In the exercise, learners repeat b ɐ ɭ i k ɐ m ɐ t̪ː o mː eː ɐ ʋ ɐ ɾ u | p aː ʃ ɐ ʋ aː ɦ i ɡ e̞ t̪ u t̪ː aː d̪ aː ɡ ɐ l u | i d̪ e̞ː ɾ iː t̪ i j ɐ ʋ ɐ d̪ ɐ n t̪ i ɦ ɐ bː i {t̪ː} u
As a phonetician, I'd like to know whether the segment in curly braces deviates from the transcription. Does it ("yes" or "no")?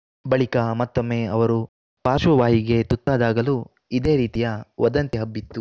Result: no